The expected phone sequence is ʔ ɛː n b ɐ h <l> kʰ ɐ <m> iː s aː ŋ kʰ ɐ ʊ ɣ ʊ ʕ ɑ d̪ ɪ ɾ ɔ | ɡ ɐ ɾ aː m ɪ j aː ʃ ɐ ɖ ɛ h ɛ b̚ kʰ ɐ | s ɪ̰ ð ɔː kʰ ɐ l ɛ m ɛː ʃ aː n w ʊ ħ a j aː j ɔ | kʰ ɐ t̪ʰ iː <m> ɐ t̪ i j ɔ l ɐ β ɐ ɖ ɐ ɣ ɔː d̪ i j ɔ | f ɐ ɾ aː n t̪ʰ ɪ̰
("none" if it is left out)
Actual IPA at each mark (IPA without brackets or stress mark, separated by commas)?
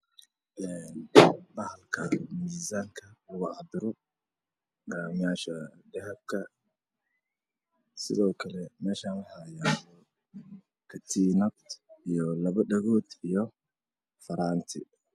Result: l, m, n